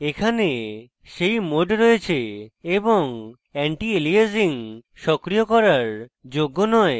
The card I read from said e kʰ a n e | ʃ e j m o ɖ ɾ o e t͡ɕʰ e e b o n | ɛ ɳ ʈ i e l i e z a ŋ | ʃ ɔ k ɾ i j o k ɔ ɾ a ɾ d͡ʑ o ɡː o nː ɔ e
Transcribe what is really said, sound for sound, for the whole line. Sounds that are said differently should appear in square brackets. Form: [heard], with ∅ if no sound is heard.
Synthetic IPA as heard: e kʰ a n e | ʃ e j m o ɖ ɾ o e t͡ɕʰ e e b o [ŋ] | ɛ ɳ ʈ i e l i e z [i] ŋ | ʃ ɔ k ɾ i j o k ɔ ɾ a ɾ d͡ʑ o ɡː o [n] ɔ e

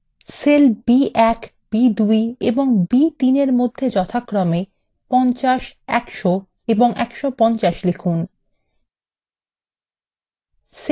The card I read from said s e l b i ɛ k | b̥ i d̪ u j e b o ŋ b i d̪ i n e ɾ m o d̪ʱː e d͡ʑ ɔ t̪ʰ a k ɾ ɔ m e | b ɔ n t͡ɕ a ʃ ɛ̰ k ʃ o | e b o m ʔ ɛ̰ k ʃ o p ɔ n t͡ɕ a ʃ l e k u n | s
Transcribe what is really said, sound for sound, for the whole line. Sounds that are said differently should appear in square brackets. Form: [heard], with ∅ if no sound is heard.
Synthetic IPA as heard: s e l b i ɛ k | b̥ i d̪ u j e b o ŋ b i [t̪] i n e ɾ m o d̪ʱː e d͡ʑ ɔ t̪ʰ a k ɾ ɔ m e | [p] ɔ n t͡ɕ a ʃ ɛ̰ k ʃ o | e b o [ŋ] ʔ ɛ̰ k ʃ o p ɔ n t͡ɕ a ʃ l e [kʰ] u n | s

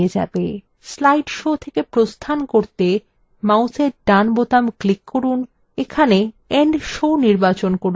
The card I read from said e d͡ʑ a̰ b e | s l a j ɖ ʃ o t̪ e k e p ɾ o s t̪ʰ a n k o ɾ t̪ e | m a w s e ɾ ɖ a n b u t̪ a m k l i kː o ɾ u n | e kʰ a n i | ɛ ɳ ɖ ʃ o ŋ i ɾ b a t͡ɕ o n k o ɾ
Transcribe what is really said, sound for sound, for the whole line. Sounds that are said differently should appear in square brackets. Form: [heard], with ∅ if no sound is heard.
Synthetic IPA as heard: e d͡ʑ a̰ b e | s l a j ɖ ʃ o [t̪ʰ] e k e p ɾ o s t̪ʰ a n k o ɾ t̪ e | m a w s e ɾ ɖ a n b [o] t̪ a m k l i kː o ɾ u n | e kʰ a n [e] | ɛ ɳ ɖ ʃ o [n] i ɾ b a t͡ɕ o n k o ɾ

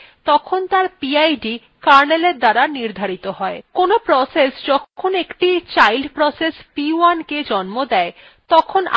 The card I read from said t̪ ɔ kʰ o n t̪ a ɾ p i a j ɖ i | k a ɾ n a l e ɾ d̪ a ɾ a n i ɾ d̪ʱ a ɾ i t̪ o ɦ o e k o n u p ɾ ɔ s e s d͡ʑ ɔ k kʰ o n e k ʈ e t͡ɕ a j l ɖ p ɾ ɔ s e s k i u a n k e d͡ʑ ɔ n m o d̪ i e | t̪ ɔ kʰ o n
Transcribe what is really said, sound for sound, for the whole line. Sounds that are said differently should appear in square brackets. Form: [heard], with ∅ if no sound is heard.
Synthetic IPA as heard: t̪ ɔ kʰ o n t̪ a ɾ p i a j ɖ i | k a ɾ n [e] l e ɾ d̪ a ɾ a n i ɾ d̪ʱ a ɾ i t̪ o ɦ [ɔ] e k o n [o] p ɾ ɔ s e s d͡ʑ ɔ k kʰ o n e k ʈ [i] t͡ɕ a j l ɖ p ɾ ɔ s e s [p] i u a n k e d͡ʑ ɔ n m o d̪ [ɛ] e | t̪ ɔ kʰ o n

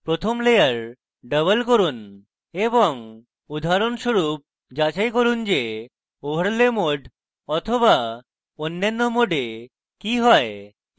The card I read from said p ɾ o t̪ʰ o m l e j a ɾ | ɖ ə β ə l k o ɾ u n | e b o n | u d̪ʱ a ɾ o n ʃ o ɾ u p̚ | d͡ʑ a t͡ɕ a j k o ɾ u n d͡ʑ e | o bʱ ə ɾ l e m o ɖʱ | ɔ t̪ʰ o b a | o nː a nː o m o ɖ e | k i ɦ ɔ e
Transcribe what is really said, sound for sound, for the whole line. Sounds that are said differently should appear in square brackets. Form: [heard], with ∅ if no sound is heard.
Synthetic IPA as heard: p ɾ o t̪ʰ o m l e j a ɾ | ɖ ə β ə l k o ɾ u n | e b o [ŋ] | u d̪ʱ a ɾ o n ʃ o ɾ u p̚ | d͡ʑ a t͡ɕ a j k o ɾ u n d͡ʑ e | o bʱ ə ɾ l e m o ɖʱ | ɔ t̪ʰ o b a | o nː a nː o m o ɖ e | k i ɦ ɔ e

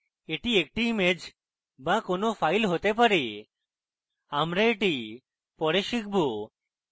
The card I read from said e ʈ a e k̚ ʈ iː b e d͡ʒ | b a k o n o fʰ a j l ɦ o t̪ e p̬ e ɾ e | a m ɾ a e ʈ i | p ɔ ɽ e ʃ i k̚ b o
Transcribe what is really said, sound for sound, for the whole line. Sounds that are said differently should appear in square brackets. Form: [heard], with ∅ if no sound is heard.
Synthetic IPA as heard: e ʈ [i] e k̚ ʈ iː [m] e d͡ʒ | b a k o n o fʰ a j l ɦ o t̪ e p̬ [a] ɾ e | a m ɾ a e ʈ i | p ɔ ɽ e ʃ i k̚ b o

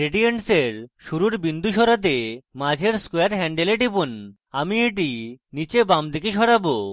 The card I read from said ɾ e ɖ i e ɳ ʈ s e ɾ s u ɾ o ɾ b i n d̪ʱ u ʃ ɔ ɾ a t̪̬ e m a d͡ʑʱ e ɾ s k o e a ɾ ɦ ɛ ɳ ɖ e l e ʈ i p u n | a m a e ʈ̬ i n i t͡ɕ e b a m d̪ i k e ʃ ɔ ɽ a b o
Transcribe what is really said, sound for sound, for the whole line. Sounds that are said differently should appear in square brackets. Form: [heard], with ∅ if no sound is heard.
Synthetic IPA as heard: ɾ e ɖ i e ɳ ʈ s e ɾ [ʃ] u ɾ [u] ɾ b i n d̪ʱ u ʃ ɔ ɾ a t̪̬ e m a d͡ʑʱ e ɾ s k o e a ɾ ɦ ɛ ɳ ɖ e l e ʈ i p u n | a m [i] e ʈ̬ i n i t͡ɕ e b a m d̪ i k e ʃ ɔ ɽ a b o

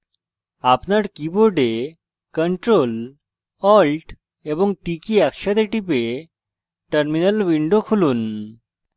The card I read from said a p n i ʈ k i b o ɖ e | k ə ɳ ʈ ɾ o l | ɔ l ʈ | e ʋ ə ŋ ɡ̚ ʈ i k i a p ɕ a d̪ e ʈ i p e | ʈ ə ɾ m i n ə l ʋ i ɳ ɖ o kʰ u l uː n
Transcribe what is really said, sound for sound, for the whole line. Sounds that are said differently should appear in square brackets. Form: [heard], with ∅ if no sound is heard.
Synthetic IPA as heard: a p n [a] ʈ k i b o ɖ e | k ə ɳ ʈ ɾ o l | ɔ l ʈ | e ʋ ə ŋ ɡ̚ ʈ i k i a [k] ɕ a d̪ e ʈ i p e | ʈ ə ɾ m i n ə l ʋ i ɳ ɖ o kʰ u l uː n

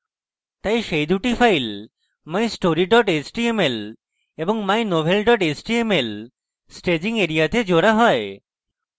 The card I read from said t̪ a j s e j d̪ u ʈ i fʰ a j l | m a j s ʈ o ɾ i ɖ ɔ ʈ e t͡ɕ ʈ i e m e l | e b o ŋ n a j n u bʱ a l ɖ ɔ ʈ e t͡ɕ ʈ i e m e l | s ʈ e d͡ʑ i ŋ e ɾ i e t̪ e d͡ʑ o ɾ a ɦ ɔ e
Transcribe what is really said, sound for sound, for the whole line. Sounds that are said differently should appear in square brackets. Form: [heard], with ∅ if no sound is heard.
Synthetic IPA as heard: t̪ a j [ʃ] e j d̪ u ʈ i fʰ a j l | m a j s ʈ o ɾ i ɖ ɔ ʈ e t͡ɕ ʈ i e m e l | e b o ŋ [m] a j n [o] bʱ [e] l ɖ ɔ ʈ e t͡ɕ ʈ i e m e l | s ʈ e d͡ʑ i ŋ e ɾ i [a] t̪ e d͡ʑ o ɾ a ɦ ɔ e

